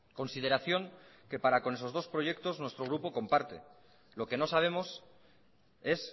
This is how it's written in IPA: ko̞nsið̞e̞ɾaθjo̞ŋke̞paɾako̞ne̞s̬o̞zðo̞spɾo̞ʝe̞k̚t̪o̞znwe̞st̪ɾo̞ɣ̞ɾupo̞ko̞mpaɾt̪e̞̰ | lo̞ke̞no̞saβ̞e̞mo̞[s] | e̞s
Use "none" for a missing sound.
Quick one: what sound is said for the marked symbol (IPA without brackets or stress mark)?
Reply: s